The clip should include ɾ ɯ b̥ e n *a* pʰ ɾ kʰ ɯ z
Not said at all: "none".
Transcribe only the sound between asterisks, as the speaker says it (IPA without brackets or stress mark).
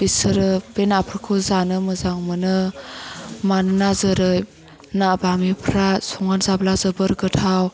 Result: a